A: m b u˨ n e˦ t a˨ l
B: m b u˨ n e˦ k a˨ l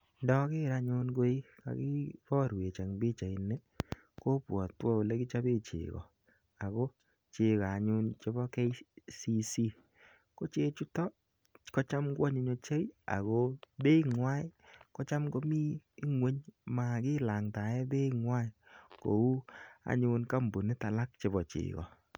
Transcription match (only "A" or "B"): A